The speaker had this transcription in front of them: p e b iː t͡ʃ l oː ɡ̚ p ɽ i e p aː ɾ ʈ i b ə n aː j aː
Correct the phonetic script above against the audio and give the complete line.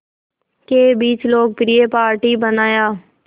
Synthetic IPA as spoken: k e b iː t͡ʃ l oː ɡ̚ p ɾ i e p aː ɾ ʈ i b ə n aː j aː